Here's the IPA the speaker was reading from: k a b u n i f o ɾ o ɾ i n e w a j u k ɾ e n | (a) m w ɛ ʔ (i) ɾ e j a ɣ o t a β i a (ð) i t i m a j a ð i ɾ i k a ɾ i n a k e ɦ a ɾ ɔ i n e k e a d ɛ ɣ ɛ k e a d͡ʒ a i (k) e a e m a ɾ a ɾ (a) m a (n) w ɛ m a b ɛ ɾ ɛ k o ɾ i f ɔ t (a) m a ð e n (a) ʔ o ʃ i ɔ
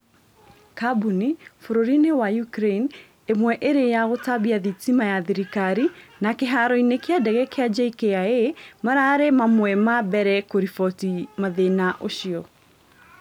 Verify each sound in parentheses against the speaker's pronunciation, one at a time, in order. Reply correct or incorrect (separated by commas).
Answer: incorrect, incorrect, correct, correct, incorrect, incorrect, incorrect, correct